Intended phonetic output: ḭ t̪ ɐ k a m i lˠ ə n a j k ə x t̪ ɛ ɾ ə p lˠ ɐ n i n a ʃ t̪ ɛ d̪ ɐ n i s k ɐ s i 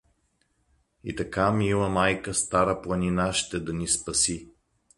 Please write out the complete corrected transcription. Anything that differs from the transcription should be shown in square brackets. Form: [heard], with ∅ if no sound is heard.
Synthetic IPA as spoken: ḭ t̪ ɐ k a m i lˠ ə [m] a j k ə [s] t̪ [a] ɾ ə p lˠ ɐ n i n a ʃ t̪ ɛ d̪ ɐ n i s [p] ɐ s i

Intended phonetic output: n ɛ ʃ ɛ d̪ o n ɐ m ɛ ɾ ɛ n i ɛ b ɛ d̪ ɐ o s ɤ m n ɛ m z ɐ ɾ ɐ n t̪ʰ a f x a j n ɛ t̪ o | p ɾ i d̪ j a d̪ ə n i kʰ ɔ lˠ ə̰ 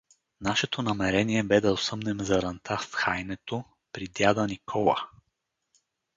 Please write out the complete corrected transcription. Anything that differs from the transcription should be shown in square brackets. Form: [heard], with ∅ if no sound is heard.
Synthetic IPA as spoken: n [a] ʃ ɛ [t̪] o n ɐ m ɛ ɾ ɛ n i ɛ b ɛ d̪ ɐ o s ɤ m n ɛ m z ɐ ɾ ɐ n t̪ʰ a f x a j n ɛ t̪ o | p ɾ i d̪ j a d̪ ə n i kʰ ɔ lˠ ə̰

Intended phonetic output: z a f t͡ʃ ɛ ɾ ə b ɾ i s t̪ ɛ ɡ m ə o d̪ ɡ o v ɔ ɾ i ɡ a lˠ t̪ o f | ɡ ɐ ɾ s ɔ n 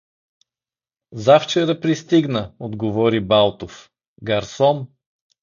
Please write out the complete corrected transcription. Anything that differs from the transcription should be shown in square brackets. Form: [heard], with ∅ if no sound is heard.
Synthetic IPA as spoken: z a f t͡ʃ ɛ ɾ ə [p] ɾ i s t̪ [i] ɡ [n] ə o d̪ ɡ o v ɔ ɾ i [b] a lˠ t̪ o f | ɡ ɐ ɾ s ɔ n

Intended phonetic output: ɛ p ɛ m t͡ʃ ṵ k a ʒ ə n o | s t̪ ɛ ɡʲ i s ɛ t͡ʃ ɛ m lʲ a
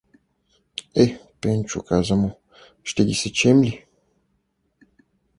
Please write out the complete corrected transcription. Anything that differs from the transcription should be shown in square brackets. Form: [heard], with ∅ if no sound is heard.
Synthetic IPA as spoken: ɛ p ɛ [n] t͡ʃ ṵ k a [z] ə [m] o | [ʃ] t̪ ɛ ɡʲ i s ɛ t͡ʃ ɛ m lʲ [i]

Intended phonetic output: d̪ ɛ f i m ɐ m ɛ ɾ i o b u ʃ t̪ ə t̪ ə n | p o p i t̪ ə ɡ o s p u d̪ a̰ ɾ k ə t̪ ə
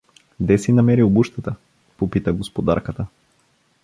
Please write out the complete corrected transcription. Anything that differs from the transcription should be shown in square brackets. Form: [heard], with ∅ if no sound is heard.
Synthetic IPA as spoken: d̪ ɛ [s] i [n] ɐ m ɛ ɾ i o b u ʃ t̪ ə t̪ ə [∅] | p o p i t̪ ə ɡ o s p [o] d̪ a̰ ɾ k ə t̪ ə

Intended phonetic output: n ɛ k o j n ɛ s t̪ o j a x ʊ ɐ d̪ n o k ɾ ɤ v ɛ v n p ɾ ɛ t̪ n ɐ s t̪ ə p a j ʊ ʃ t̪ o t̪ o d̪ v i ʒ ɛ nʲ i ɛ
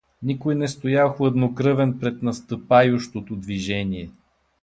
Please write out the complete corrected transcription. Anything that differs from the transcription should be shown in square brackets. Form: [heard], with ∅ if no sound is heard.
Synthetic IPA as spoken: n [i] k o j n ɛ s t̪ o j a x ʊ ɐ d̪ n o k ɾ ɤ v ɛ [∅] n p ɾ ɛ t̪ n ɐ s t̪ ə p a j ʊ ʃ t̪ o t̪ o d̪ v i ʒ ɛ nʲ i ɛ

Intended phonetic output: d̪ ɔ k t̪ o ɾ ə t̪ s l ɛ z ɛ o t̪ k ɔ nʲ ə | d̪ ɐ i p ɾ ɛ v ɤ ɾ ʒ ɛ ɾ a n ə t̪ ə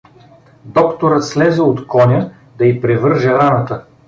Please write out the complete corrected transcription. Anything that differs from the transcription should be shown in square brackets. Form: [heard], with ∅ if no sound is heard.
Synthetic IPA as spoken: d̪ ɔ k t̪ o ɾ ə t̪ s l ɛ z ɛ o t̪ k ɔ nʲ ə | d̪ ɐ i p ɾ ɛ v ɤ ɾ ʒ ɛ ɾ a n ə t̪ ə

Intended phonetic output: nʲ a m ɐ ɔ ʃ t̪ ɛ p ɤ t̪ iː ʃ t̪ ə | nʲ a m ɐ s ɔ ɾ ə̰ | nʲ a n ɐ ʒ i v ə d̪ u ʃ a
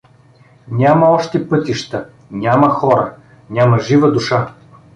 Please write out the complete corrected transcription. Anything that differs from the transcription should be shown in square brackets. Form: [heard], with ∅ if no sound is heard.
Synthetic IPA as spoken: nʲ a m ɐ ɔ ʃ t̪ ɛ p ɤ t̪ [i] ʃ t̪ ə | nʲ a m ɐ [x] ɔ ɾ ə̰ | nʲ a [m] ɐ ʒ i v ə d̪ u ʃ a

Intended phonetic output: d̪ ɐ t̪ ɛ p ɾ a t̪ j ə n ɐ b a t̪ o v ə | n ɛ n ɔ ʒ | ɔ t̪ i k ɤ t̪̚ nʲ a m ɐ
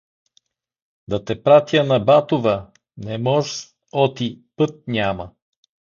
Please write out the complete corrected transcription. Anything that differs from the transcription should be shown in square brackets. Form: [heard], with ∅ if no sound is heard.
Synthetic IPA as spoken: d̪ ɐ t̪ ɛ p ɾ a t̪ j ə n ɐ b a t̪ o v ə | n ɛ [m] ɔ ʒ | ɔ t̪ i [p] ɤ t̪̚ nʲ a m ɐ

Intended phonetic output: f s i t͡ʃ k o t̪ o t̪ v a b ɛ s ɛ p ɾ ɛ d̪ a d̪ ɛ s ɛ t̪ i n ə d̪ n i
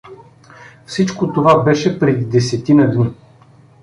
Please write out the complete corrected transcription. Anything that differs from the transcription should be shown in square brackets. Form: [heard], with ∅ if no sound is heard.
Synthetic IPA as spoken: f s i t͡ʃ k o t̪ o [∅] v a b ɛ [ʃ] ɛ p ɾ ɛ d̪ [i] d̪ ɛ s ɛ t̪ i n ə d̪ n i

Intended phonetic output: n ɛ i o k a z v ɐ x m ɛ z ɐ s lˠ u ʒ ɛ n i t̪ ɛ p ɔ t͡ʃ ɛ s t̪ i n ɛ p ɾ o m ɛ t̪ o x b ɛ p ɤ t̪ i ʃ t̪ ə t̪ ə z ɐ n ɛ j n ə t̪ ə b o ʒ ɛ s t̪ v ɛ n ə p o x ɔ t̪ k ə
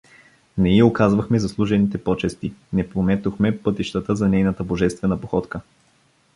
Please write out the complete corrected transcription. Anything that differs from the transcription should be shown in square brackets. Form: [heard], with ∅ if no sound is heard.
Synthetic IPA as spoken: n ɛ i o k a z v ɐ x m ɛ z ɐ s lˠ u ʒ ɛ n i t̪ ɛ p ɔ t͡ʃ ɛ s t̪ i n ɛ p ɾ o m ɛ t̪ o x [m] ɛ p ɤ t̪ i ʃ t̪ ə t̪ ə z ɐ n ɛ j n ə t̪ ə b o ʒ ɛ s t̪ v ɛ n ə p o x ɔ t̪ k ə

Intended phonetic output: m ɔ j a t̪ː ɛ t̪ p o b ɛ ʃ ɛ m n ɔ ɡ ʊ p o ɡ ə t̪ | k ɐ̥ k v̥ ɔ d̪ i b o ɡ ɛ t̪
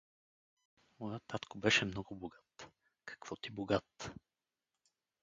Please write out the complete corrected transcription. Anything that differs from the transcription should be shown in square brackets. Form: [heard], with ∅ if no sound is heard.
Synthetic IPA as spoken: m ɔ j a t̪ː [a] t̪ [k] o b ɛ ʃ ɛ m n ɔ ɡ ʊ [b] o ɡ [a] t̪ | k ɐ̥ k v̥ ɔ [t̪] i b o ɡ [a] t̪

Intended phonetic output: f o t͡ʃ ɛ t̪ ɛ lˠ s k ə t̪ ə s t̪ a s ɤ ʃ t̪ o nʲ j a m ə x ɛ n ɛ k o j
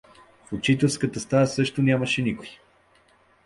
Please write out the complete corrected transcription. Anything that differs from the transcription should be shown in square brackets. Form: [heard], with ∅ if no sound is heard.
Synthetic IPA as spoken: f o t͡ʃ [i] t̪ ɛ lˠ s k ə t̪ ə s t̪ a s ɤ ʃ t̪ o nʲ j a m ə [ʃ] ɛ n [i] k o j

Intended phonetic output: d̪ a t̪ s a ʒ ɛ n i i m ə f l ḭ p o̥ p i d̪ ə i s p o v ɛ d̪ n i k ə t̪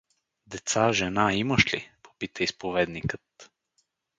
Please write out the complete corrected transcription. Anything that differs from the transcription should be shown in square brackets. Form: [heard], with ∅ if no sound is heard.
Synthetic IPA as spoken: d̪ [ɛ] t̪ s a ʒ ɛ n [a] i m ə [ʃ] l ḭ p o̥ p i [t̪] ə i s p o v ɛ d̪ n i k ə t̪

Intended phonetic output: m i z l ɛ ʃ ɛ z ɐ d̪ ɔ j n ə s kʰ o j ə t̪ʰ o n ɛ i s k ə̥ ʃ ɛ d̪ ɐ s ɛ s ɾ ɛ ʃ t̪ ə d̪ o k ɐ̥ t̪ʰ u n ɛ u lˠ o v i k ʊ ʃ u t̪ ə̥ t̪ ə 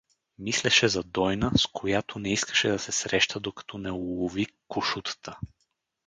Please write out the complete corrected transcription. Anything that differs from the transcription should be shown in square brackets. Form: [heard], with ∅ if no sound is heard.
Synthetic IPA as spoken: m i [s] l ɛ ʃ ɛ z ɐ d̪ ɔ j n ə s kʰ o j [a] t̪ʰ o n ɛ i s k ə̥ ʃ ɛ d̪ ɐ s ɛ s ɾ ɛ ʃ t̪ ə d̪ o k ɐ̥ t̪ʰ [ɔ] n ɛ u lˠ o v i k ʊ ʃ u t̪ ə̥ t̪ ə

